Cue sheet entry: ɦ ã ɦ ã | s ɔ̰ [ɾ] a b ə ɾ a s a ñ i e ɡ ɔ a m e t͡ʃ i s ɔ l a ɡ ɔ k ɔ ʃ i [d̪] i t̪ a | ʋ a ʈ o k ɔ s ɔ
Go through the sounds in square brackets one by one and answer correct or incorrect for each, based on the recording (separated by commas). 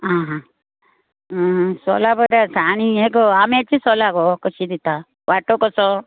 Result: incorrect, correct